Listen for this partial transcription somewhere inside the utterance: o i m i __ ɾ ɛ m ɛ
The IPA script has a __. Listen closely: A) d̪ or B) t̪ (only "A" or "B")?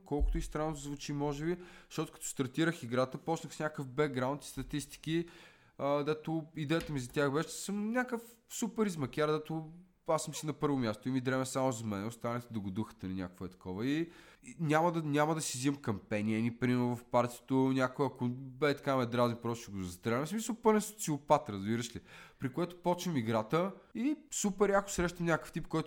A